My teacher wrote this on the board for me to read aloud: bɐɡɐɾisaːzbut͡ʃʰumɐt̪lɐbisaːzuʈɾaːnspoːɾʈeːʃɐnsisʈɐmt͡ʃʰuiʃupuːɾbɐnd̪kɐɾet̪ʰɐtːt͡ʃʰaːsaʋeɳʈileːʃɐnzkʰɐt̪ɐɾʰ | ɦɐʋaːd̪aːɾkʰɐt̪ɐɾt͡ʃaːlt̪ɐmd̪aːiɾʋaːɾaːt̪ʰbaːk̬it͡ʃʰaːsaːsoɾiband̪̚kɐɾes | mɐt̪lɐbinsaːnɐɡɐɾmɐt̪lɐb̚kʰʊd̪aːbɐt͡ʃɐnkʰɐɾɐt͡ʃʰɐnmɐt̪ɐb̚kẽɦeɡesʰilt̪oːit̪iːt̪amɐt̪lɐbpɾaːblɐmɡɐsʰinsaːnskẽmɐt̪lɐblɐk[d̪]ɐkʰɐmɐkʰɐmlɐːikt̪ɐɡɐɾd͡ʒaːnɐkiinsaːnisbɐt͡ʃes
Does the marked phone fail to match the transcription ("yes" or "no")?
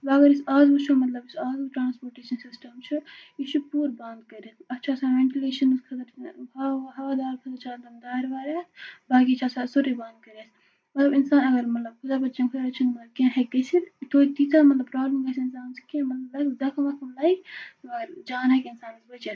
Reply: no